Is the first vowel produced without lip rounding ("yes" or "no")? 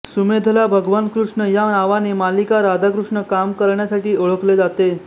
no